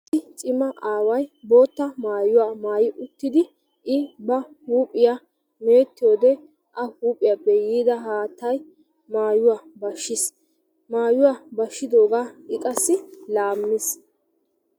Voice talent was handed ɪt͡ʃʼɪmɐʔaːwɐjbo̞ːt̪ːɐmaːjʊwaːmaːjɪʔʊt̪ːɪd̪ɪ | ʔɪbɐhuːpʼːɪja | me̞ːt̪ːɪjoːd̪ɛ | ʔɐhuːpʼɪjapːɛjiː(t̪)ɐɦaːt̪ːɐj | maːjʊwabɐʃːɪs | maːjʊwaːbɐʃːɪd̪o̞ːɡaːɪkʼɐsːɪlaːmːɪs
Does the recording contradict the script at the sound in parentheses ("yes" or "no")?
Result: yes